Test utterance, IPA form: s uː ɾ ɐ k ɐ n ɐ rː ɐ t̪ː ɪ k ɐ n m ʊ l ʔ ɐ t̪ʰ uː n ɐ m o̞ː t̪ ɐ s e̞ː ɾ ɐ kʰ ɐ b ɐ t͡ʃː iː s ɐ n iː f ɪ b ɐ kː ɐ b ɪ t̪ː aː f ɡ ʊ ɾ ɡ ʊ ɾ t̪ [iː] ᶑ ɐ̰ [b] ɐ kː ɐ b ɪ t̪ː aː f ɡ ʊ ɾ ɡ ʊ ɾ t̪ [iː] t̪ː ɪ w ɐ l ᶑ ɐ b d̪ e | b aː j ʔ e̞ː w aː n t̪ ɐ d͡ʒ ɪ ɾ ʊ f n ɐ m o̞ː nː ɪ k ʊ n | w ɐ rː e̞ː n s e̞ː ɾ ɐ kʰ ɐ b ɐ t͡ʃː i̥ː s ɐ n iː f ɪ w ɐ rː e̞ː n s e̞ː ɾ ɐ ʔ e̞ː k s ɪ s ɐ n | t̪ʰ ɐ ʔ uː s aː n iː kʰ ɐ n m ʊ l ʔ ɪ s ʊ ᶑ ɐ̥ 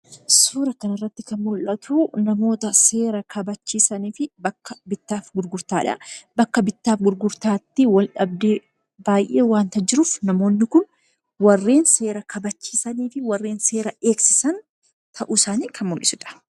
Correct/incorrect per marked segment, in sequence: incorrect: aː, correct, incorrect: aː

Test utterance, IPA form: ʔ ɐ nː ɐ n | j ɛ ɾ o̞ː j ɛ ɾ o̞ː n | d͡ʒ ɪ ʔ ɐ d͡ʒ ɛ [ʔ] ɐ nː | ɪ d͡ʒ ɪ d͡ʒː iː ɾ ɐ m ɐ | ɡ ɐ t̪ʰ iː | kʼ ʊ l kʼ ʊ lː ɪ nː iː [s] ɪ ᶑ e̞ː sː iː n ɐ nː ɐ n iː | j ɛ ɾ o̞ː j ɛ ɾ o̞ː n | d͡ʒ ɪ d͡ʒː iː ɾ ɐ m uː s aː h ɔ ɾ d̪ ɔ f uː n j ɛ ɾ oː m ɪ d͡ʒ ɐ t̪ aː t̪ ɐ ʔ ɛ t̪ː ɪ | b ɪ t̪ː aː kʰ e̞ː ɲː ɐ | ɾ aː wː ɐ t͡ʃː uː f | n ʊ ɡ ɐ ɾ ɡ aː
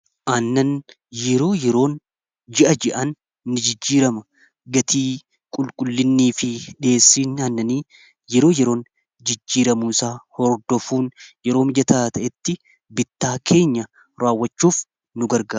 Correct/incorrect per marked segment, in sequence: correct, incorrect: f

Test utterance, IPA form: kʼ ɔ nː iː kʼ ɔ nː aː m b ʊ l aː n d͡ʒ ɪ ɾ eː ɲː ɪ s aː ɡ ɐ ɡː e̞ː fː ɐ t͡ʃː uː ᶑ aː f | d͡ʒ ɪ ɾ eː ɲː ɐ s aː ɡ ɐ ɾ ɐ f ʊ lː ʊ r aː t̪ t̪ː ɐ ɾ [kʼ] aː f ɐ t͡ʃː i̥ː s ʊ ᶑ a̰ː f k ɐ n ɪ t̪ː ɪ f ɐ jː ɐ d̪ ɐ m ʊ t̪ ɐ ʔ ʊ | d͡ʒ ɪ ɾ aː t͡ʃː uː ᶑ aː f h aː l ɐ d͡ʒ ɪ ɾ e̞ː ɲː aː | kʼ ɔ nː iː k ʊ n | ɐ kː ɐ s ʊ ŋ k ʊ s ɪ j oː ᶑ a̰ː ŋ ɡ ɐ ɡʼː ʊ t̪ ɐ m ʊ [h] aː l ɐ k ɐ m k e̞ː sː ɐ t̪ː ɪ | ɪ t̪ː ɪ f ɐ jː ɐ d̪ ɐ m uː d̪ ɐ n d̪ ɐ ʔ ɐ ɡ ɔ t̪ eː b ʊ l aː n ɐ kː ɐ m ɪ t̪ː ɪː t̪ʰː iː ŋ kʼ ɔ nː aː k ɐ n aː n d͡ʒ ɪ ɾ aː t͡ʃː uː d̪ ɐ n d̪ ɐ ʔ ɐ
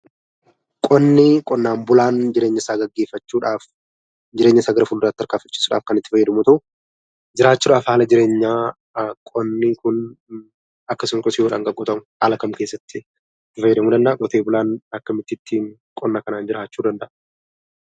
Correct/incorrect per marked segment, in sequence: incorrect: k, correct

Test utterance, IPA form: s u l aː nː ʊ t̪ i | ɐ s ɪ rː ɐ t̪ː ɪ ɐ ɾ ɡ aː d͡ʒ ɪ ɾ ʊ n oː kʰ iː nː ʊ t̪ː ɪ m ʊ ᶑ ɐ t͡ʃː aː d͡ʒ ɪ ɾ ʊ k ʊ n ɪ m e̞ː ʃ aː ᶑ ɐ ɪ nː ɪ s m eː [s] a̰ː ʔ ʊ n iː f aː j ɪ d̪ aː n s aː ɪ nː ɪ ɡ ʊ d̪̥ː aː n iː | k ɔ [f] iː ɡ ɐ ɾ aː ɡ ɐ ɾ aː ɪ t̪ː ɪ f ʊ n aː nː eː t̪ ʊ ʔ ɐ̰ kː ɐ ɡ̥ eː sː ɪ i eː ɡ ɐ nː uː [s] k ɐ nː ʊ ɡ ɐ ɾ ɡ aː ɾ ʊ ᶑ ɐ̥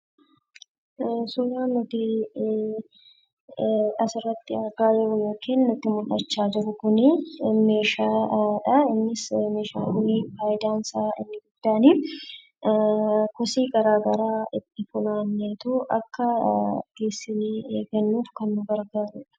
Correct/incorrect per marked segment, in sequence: incorrect: ʃ, incorrect: s, incorrect: f

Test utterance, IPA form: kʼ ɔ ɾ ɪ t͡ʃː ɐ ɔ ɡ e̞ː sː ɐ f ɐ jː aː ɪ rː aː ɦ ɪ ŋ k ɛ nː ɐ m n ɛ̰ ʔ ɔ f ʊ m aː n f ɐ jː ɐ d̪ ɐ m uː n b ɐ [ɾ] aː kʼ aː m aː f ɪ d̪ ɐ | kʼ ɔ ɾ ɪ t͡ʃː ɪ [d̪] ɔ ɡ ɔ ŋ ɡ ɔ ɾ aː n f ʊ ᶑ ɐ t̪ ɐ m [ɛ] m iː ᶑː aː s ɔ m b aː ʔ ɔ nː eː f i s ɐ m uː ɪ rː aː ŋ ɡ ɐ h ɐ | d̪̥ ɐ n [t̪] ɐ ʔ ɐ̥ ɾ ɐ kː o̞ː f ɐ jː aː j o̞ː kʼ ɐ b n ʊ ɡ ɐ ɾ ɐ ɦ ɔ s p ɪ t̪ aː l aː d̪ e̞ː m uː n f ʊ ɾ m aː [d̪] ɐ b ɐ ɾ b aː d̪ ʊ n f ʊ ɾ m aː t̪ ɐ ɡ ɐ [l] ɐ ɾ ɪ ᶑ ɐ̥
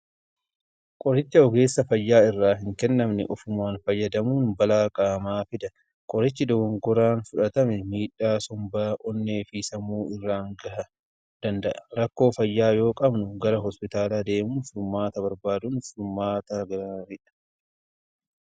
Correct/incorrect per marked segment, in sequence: incorrect: l, correct, correct, incorrect: d̪, incorrect: t̪, incorrect: ɾ

